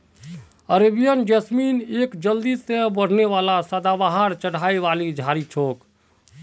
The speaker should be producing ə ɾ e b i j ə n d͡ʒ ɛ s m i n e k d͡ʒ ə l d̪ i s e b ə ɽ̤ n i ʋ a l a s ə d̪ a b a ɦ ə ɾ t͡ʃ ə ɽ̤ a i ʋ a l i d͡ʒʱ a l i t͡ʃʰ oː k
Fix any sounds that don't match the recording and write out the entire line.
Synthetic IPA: ə ɾ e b i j ə n d͡ʒ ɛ s m i n e k d͡ʒ ə l d̪ i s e b ə ɽ̤ n e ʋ a l a s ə d̪ a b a ɦ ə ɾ t͡ʃ ə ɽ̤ a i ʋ a l i d͡ʒʱ a ɾ i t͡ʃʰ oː k

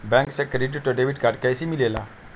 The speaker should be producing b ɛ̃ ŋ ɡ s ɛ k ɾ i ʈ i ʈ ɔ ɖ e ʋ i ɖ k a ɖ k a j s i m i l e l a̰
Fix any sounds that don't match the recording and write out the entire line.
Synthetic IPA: b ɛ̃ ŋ k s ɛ k ɾ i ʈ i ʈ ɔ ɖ e ʋ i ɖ k a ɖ k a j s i m i l e l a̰

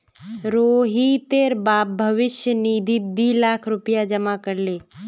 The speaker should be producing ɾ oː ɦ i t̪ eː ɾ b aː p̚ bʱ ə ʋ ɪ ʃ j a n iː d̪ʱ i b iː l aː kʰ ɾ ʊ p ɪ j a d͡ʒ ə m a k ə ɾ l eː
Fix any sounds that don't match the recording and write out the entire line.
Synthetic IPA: ɾ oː ɦ i t̪ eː ɾ b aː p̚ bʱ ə ʋ ɪ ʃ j ə n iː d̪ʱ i b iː l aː kʰ ɾ ʊ p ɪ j a d͡ʒ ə m a k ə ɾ l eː

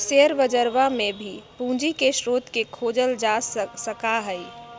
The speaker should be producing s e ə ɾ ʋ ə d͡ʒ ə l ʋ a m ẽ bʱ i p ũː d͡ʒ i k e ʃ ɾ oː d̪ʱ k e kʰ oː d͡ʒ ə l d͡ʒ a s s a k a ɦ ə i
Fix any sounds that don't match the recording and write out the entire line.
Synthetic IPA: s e ə ɾ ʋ ə d͡ʒ ə ɾ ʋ a m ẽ bʱ i p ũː d͡ʒ i k e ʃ ɾ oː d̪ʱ k e kʰ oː d͡ʒ ə l d͡ʒ a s s ə k a ɦ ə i

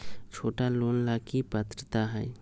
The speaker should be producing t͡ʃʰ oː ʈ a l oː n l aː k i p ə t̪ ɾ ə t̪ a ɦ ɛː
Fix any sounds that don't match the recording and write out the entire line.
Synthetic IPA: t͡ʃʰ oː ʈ a l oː n l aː k i p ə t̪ ɾ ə t̪ a ɦ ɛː

